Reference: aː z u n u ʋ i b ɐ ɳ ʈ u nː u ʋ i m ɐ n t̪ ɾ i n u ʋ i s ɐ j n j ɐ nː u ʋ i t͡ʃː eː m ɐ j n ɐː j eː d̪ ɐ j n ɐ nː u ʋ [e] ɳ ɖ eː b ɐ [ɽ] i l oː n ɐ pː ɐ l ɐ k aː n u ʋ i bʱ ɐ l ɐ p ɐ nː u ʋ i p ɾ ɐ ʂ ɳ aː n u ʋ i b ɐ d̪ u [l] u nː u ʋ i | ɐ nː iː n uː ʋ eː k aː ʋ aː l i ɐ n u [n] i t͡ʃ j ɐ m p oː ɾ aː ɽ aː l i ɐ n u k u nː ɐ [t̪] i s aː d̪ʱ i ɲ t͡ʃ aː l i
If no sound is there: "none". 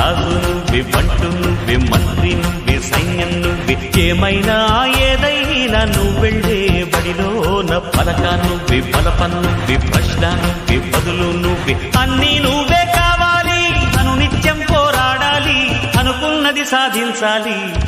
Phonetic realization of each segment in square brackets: e, ɽ, l, n, d̪

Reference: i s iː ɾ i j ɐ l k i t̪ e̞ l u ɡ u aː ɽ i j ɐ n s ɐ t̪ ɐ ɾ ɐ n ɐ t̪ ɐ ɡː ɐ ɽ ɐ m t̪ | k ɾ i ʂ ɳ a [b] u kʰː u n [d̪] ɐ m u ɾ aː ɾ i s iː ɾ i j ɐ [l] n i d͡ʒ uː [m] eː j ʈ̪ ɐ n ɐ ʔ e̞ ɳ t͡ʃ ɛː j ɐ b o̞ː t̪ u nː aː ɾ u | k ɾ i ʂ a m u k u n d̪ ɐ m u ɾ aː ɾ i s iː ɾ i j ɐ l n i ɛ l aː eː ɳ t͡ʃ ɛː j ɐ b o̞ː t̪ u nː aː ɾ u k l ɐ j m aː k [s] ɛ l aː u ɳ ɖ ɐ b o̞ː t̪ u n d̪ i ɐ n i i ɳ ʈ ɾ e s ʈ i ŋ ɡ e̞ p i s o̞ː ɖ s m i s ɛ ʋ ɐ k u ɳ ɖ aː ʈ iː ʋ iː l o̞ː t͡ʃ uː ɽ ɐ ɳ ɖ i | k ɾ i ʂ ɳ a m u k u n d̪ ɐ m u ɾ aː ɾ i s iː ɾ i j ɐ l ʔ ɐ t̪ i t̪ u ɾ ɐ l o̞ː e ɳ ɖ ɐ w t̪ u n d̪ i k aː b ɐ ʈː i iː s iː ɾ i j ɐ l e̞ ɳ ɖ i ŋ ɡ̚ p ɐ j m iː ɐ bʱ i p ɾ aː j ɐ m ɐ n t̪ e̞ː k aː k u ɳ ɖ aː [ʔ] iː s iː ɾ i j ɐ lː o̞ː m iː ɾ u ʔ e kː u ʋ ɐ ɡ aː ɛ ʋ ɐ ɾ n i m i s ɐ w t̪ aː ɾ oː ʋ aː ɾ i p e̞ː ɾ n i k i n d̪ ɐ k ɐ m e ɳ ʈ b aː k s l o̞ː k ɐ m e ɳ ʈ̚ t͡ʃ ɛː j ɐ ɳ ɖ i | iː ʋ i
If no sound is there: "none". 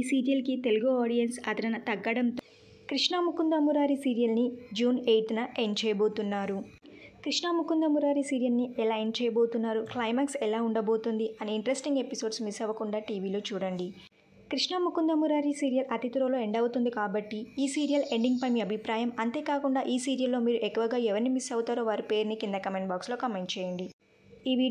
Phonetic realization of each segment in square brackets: m, d̪, l, n, s, ʔ

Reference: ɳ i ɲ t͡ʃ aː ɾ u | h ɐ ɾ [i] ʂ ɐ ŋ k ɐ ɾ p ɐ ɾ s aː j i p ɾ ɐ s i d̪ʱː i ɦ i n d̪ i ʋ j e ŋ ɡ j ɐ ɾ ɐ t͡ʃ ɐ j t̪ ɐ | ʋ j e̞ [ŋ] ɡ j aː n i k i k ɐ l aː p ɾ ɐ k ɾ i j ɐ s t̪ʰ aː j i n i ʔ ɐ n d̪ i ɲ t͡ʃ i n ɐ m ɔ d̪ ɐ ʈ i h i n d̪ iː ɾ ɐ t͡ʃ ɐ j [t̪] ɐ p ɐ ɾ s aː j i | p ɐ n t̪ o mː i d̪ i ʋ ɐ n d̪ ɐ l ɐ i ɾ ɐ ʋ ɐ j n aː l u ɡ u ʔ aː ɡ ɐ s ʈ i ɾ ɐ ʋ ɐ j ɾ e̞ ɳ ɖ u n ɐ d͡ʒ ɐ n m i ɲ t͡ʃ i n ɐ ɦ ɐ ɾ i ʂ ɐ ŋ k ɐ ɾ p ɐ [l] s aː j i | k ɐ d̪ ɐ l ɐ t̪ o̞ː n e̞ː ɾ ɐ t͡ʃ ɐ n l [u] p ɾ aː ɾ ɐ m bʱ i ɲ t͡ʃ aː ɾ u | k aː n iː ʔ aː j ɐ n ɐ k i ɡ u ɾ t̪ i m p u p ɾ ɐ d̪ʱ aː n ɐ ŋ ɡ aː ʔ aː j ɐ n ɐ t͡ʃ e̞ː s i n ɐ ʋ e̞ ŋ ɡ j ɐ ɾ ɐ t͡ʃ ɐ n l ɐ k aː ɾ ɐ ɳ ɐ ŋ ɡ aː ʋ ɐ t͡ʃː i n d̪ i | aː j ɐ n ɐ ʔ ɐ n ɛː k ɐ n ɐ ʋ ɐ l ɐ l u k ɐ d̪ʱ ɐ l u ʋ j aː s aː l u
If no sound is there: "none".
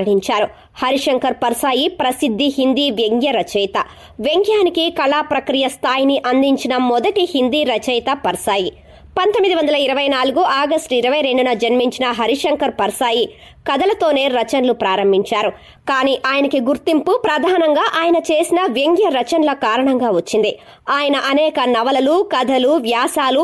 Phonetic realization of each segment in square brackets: i, ŋ, t̪, ɾ, u

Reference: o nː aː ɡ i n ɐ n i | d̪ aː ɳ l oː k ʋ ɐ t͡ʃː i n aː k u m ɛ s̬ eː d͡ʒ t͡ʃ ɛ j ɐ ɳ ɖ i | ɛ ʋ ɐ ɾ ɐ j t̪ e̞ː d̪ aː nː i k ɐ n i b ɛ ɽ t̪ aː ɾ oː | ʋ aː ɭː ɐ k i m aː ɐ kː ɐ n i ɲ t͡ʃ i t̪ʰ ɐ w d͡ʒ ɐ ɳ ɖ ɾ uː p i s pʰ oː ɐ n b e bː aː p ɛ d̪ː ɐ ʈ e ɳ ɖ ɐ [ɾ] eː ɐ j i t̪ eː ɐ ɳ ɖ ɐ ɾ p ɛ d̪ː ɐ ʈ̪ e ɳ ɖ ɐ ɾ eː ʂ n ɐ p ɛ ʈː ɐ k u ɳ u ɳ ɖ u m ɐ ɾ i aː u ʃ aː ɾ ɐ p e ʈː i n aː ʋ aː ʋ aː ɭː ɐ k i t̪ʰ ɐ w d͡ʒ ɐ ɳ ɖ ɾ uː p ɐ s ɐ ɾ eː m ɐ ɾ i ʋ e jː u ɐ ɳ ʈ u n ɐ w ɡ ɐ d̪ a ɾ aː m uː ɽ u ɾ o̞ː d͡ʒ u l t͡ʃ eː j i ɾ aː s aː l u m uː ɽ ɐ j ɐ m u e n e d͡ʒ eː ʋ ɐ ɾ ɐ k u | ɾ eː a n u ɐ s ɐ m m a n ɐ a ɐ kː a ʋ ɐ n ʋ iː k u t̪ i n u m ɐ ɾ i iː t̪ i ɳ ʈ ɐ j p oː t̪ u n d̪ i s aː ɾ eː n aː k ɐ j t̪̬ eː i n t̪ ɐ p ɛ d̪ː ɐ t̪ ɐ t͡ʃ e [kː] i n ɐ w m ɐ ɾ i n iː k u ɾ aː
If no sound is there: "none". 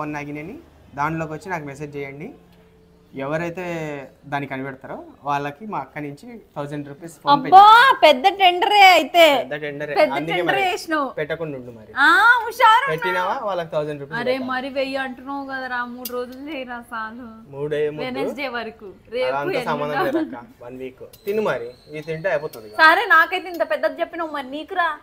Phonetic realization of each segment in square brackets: ɾ, pː

